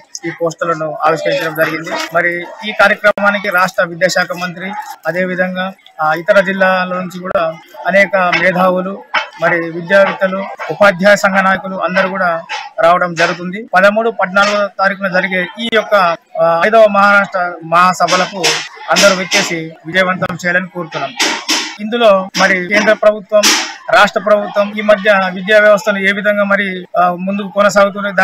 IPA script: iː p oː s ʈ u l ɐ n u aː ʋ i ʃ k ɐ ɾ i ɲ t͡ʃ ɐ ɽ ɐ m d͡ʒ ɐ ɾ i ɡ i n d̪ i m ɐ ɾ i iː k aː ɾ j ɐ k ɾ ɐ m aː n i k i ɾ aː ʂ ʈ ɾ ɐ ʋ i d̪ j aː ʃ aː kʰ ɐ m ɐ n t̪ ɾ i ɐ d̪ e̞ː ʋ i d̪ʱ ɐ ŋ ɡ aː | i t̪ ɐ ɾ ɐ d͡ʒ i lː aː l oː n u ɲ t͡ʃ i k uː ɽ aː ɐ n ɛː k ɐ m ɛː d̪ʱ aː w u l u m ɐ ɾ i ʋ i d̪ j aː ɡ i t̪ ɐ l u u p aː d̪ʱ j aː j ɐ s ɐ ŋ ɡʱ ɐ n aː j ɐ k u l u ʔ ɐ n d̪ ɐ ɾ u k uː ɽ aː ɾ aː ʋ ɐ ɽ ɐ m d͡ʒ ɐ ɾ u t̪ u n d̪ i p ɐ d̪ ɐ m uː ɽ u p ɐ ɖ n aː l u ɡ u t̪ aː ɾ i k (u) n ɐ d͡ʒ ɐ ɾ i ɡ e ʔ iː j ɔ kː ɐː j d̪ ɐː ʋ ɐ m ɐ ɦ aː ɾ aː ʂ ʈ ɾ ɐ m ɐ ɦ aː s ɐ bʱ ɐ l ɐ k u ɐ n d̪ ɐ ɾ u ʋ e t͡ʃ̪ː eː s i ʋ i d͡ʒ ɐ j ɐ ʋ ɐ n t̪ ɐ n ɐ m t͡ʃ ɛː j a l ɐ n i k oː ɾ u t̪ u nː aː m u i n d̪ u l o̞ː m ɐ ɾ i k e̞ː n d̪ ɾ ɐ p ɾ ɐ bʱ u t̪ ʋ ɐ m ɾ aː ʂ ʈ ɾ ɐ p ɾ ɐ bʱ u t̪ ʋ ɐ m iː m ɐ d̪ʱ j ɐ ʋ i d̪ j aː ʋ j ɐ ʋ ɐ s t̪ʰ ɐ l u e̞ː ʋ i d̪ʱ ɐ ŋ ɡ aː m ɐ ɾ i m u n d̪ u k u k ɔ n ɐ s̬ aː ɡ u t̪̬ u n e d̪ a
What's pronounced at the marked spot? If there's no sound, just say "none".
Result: u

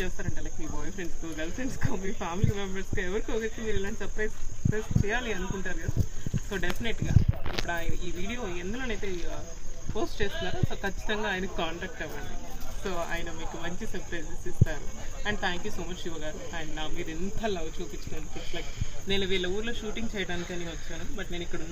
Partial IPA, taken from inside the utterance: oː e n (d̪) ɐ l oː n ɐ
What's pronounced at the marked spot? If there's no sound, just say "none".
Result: d̪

